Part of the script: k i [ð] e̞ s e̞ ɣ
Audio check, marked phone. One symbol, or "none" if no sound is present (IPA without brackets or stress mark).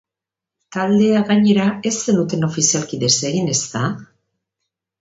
ð